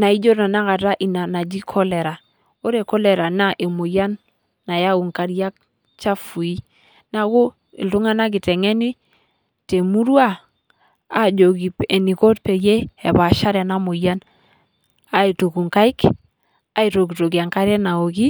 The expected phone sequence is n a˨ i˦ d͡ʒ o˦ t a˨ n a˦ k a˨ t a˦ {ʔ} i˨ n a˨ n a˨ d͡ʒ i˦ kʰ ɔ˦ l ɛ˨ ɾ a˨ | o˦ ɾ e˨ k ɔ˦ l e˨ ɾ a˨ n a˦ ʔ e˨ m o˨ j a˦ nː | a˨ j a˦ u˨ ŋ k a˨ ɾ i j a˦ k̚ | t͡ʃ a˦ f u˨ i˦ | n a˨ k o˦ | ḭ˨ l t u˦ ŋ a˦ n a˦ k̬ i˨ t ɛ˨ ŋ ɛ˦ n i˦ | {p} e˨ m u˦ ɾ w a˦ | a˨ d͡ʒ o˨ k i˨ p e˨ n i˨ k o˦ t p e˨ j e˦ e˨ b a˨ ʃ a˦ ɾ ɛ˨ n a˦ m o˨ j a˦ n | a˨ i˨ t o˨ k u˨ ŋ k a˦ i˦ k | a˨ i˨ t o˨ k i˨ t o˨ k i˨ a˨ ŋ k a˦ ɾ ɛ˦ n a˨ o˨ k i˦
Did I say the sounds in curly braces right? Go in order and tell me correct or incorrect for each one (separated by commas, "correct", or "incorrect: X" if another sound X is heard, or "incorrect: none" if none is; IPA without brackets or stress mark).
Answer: correct, incorrect: t